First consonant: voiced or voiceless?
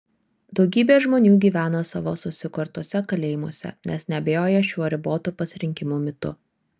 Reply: voiced